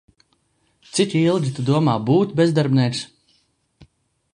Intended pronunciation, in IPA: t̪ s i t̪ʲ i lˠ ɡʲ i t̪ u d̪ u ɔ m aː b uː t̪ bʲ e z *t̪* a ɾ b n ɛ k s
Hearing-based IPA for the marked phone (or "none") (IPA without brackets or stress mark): d̪